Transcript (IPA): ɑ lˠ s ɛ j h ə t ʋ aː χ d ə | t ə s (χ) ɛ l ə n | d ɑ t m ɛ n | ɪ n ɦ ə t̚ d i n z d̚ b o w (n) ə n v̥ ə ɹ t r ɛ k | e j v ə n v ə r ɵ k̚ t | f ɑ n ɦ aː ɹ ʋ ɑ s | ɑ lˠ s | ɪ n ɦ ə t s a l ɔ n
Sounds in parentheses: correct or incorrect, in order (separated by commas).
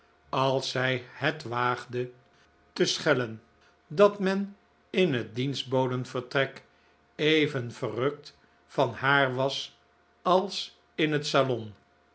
correct, incorrect